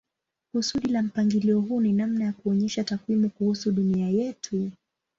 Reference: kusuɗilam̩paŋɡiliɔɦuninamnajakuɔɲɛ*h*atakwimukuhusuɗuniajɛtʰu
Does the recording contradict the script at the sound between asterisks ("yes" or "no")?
yes